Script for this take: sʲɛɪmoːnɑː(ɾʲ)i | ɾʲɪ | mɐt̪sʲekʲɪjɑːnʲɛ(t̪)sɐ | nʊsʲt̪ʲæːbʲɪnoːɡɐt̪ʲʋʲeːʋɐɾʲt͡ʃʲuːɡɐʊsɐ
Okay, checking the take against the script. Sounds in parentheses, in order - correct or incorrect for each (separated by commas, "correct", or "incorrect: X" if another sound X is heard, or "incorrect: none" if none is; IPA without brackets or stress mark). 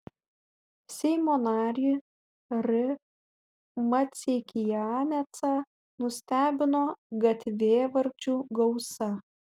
correct, correct